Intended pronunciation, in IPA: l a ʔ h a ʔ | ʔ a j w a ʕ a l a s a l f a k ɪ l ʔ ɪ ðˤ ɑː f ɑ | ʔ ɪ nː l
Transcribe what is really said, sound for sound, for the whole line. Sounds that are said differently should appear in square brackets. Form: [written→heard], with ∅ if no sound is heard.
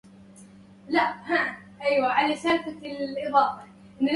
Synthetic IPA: l a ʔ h a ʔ | ʔ a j w a ʕ a l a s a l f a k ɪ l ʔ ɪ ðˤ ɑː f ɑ | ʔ ɪ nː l